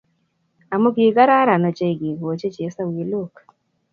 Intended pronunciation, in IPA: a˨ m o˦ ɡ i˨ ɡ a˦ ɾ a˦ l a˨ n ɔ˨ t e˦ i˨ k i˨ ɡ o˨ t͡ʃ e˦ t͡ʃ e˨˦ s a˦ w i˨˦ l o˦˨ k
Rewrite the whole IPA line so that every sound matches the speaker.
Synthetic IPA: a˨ m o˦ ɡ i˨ ɡ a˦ ɾ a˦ ɾ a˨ n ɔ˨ t͡ʃ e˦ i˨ ɡ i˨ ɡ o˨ t͡ʃ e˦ t͡ʃ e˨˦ s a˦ w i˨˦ l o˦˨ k